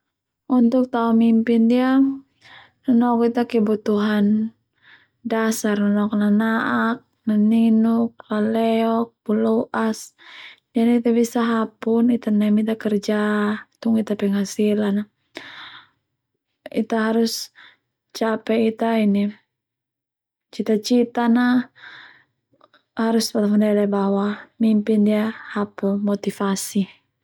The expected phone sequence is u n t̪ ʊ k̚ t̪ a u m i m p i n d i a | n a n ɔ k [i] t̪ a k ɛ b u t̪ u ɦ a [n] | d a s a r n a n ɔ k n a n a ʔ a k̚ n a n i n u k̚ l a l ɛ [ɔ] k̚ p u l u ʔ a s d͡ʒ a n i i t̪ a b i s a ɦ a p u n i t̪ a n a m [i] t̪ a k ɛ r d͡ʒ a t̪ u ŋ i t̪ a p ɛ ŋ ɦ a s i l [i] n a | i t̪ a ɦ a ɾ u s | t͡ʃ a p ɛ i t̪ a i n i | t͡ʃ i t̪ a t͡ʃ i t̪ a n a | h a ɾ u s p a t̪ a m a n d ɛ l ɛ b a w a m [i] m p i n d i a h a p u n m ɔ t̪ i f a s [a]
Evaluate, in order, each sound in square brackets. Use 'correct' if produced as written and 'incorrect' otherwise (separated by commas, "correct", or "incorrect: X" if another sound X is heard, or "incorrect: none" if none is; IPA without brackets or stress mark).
correct, correct, correct, correct, incorrect: a, correct, incorrect: i